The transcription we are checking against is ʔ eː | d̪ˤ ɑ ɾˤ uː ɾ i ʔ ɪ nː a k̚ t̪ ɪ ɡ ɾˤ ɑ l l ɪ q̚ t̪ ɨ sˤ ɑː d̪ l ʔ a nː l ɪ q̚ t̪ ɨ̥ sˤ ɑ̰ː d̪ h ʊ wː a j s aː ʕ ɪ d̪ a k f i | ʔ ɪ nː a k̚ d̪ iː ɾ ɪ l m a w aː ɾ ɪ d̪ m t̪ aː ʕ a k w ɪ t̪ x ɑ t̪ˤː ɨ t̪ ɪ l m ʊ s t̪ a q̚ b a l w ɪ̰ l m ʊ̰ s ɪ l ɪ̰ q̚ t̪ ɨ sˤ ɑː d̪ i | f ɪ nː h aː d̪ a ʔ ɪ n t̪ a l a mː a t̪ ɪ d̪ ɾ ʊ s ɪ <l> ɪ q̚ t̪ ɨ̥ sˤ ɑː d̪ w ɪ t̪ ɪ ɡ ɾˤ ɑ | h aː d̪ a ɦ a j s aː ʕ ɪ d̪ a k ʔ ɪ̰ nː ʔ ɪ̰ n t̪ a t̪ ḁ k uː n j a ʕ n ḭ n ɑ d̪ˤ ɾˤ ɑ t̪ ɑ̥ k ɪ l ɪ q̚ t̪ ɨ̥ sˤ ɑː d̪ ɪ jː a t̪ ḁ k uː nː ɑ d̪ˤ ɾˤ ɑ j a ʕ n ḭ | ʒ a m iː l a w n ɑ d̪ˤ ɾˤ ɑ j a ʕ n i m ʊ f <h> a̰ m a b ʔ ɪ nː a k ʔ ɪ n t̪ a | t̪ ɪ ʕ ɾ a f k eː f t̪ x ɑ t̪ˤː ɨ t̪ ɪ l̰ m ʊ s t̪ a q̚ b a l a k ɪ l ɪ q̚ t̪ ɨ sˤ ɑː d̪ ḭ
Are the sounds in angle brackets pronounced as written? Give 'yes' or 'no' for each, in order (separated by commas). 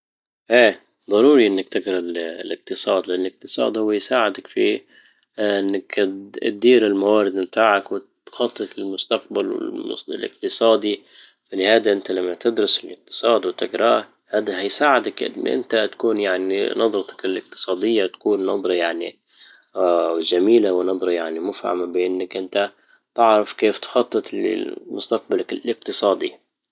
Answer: yes, yes